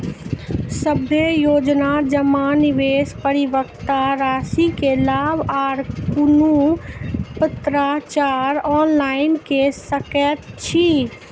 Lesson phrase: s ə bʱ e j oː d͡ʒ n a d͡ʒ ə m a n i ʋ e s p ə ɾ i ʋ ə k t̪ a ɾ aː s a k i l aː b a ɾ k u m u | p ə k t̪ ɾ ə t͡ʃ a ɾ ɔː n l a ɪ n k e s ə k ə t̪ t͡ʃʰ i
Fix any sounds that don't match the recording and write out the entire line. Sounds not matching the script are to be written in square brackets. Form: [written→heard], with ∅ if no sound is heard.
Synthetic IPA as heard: s ə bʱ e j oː d͡ʒ n a d͡ʒ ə m a n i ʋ e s p ə ɾ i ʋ ə k t̪ a ɾ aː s [a→i] k [i→e] l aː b a ɾ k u [m→n] u | p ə [k→∅] t̪ ɾ [ə→a] t͡ʃ a ɾ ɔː n l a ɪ n k e s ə k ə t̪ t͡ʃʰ i